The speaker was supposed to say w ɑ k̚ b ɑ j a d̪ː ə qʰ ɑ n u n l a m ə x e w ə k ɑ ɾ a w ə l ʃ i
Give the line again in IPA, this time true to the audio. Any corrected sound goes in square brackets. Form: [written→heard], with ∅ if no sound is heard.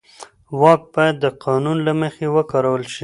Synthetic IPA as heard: w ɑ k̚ b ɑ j a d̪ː ə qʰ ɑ n u n l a m ə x e w ə k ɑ ɾ a w ə l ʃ i